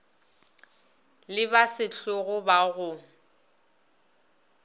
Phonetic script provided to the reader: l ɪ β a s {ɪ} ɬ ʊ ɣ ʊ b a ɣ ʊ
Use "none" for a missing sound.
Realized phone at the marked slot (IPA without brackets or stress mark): ɪ